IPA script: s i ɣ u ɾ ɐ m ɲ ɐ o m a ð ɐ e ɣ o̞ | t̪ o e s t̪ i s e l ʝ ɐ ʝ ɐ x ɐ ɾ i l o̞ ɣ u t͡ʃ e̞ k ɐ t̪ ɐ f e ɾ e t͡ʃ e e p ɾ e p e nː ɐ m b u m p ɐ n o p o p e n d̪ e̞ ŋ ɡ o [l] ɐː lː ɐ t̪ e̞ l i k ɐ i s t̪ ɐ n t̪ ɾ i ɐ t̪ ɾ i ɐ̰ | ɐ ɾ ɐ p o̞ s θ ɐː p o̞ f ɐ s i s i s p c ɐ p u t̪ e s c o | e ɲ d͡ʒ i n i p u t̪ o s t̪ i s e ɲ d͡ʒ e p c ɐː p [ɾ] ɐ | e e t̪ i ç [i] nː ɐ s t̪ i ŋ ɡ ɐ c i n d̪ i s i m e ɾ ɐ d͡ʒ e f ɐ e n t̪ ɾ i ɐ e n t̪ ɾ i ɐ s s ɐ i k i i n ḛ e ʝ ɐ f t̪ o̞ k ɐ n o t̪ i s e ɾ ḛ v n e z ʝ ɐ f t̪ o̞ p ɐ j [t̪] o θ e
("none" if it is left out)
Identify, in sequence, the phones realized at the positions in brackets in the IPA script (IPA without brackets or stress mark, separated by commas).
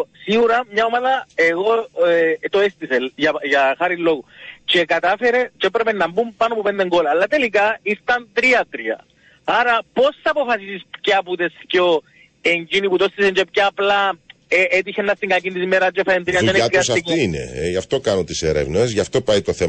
l, l, e, t̪